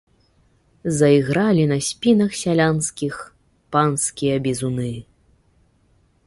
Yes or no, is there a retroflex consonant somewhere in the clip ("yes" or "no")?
no